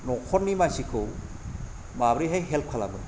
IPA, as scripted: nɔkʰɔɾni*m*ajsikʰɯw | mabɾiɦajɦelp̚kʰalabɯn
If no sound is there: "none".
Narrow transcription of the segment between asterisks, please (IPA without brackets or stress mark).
m